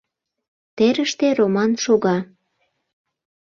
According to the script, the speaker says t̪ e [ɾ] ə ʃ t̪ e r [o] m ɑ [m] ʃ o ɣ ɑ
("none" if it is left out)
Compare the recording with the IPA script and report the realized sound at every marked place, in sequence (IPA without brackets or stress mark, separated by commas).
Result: ɾ, o, n